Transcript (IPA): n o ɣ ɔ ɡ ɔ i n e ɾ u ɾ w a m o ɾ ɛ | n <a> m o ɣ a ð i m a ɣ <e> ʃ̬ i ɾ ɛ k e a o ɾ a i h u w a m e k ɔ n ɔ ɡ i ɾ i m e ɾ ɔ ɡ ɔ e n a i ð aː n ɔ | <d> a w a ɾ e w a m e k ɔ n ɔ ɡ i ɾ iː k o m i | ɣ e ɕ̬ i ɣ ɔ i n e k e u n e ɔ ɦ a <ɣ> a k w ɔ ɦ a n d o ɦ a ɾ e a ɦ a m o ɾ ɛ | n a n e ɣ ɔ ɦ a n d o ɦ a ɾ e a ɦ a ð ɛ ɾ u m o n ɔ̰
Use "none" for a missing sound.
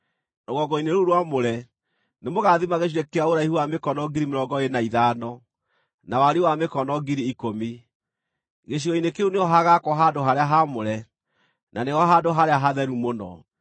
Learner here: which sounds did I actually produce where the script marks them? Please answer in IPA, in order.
e, e, n, ɣ

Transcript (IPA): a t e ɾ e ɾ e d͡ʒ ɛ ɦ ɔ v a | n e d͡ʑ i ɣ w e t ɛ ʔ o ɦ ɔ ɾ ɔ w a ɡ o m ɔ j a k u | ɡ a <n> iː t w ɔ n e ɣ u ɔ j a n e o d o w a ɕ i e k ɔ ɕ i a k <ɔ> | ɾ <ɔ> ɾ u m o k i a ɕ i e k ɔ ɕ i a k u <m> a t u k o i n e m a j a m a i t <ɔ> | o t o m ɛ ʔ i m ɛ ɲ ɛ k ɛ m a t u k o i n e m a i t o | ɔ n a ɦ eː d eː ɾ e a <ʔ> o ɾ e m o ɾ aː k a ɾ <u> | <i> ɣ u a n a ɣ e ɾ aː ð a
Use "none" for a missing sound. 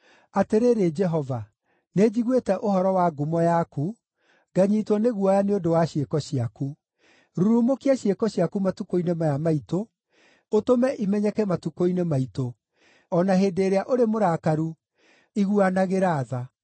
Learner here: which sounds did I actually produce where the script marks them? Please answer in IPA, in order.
ɲ, u, u, m, o, ʔ, u, i

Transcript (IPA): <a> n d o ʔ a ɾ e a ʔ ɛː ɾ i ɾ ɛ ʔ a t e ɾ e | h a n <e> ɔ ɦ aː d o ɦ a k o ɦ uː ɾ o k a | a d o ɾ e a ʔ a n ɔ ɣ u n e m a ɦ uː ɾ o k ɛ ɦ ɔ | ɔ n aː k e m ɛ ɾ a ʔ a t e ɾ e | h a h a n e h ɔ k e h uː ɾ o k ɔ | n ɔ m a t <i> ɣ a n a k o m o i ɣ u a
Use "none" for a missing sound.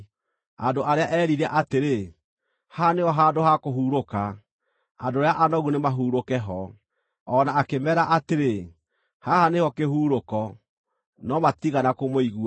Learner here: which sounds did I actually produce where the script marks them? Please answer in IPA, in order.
a, e, i

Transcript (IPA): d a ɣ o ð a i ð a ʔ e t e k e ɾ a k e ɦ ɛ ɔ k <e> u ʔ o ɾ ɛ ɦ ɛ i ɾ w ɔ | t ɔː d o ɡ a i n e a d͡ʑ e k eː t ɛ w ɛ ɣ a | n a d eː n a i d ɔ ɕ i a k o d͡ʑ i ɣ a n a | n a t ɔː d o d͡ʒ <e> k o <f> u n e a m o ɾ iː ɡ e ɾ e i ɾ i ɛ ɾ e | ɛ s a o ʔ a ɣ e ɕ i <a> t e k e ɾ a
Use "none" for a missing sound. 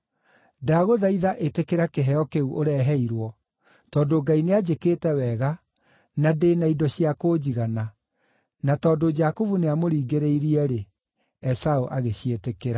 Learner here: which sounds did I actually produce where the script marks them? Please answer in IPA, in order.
e, a, v, e

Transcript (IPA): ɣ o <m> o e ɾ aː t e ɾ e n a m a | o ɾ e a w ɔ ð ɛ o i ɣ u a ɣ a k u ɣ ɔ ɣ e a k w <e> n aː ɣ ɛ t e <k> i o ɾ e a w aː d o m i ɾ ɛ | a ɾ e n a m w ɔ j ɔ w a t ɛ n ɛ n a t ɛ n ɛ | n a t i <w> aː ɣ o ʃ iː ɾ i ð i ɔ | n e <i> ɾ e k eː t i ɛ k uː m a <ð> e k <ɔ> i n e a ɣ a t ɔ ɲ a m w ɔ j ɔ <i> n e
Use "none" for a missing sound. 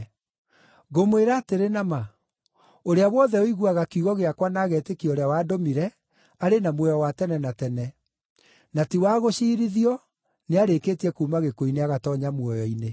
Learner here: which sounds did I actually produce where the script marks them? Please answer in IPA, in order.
m, a, k, w, a, ɣ, o, i

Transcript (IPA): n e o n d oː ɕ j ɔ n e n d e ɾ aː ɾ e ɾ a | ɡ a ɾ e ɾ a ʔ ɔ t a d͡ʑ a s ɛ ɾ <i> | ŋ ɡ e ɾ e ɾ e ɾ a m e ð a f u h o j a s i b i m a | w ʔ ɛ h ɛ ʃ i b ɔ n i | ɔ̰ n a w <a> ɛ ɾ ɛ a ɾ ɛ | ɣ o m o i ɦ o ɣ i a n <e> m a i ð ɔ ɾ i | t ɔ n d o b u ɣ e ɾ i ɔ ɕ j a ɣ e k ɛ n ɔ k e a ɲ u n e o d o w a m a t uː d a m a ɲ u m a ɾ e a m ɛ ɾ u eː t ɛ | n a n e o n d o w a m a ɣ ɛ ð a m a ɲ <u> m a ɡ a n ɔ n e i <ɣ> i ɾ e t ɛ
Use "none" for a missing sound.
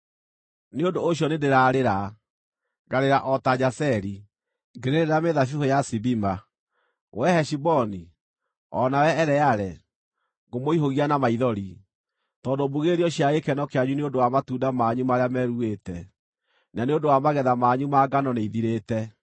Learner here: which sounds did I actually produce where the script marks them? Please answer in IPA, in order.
i, ɛ, a, u, ð

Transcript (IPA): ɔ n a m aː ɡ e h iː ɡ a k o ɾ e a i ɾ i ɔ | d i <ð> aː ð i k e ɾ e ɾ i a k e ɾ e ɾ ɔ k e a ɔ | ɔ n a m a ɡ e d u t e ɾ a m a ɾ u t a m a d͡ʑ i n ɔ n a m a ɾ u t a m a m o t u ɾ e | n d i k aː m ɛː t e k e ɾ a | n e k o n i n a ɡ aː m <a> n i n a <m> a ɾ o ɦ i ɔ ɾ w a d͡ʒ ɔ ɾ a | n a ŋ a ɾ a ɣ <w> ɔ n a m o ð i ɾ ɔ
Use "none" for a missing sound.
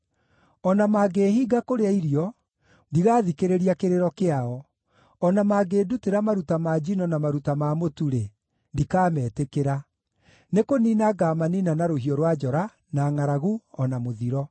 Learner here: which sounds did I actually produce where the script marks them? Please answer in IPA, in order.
ɣ, a, n, u

